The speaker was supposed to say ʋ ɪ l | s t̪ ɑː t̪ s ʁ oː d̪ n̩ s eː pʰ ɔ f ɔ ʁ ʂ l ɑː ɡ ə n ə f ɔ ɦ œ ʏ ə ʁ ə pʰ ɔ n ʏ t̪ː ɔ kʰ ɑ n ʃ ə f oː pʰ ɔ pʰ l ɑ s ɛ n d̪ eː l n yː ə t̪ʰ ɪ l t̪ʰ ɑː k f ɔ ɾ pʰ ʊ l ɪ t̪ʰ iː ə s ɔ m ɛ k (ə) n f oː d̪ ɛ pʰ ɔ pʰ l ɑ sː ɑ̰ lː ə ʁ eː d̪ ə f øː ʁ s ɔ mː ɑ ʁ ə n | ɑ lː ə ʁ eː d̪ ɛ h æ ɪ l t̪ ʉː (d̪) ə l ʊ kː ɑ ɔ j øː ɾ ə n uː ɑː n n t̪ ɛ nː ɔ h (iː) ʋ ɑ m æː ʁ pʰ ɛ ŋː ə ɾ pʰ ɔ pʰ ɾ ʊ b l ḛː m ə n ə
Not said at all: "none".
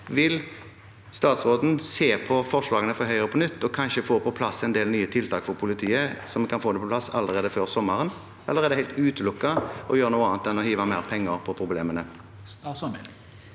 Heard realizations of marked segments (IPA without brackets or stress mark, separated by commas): ɑ, t̪, iː